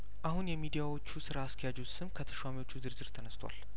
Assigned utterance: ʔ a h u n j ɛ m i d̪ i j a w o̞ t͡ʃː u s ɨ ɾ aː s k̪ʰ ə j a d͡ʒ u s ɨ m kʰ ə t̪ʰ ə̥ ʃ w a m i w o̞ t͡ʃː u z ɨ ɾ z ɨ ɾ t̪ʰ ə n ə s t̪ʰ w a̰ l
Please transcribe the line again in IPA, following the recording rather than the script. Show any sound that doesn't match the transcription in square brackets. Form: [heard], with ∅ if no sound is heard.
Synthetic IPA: ʔ a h u n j ɛ m i d̪ i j a w o̞ t͡ʃː u s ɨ ɾ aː s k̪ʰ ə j a d͡ʒ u s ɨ m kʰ ə t̪ʰ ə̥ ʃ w a m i w o̞ t͡ʃː u z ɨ ɾ z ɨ ɾ t̪ʰ ə n ə s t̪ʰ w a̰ l